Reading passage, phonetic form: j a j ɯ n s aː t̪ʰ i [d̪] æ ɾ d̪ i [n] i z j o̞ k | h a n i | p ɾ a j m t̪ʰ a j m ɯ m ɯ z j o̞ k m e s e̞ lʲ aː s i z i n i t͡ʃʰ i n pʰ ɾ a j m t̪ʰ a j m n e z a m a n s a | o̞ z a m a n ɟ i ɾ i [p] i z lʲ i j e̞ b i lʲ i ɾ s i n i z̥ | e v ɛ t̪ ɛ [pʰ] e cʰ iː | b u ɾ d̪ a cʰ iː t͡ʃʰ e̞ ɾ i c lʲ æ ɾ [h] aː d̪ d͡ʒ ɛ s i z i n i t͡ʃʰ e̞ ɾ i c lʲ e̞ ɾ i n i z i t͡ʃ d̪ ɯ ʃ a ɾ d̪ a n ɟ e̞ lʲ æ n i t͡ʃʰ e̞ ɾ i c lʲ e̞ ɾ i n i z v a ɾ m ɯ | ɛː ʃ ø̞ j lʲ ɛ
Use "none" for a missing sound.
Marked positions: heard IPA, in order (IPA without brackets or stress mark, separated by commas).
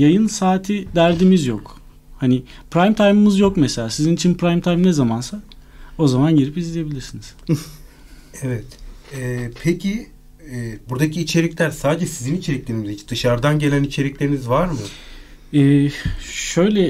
d̪, m, p, pʰ, s